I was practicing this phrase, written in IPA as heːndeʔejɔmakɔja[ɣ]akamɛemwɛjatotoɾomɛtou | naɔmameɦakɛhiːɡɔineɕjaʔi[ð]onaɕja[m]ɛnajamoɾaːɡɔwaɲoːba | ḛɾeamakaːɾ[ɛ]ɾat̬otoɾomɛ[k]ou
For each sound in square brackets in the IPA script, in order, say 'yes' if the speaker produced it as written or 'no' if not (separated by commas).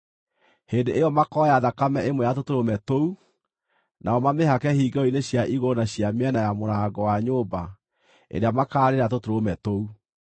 no, no, yes, no, no